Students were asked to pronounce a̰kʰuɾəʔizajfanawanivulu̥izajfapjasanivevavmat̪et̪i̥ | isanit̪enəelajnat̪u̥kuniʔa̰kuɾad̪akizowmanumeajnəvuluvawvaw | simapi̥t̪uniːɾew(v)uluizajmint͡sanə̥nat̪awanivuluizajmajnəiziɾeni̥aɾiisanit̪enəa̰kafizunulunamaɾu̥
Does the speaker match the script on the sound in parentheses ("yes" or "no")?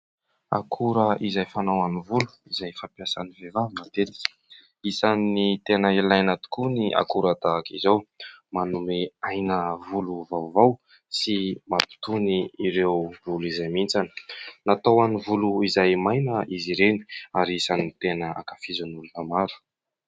yes